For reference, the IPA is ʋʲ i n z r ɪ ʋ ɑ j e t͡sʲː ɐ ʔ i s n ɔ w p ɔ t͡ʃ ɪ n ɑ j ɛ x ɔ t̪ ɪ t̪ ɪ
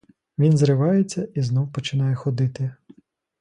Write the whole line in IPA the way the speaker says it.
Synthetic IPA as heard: ʋʲ i n z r ɪ ʋ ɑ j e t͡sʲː ɐ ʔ i z n ɔ w p ɔ t͡ʃ ɪ n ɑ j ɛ x ɔ d̪ ɪ t̪ ɪ